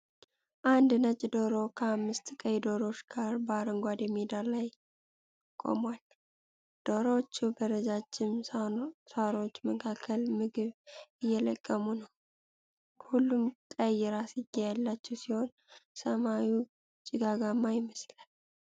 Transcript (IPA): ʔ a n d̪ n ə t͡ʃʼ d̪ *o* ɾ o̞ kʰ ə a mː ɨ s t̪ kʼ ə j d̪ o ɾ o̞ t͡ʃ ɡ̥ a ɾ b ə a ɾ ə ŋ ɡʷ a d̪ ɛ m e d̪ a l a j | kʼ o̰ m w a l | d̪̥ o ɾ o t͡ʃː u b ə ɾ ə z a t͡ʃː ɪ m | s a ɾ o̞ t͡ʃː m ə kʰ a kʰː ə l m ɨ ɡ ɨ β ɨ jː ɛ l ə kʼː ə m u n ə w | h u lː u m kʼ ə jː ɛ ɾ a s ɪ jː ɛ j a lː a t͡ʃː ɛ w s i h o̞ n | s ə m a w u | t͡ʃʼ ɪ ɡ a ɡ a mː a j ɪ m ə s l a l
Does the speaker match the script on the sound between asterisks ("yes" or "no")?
yes